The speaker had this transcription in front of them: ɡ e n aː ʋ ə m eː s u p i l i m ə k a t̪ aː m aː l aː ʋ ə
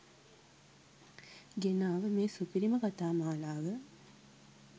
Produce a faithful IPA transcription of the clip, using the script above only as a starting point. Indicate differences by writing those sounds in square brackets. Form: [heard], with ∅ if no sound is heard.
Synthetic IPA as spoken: ɡ e n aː ʋ ə m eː s u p i [ɾ] i m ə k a t̪ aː m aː l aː ʋ ə